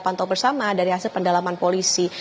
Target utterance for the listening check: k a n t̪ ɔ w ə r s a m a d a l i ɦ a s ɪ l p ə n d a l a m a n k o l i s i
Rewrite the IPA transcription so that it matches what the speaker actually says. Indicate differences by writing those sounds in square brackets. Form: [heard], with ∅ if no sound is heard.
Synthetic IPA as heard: [p] a n t̪ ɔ [b] ə r s a m a d a [ɾ] i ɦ a s ɪ l p ə n d a l a m a n [p] o l i s i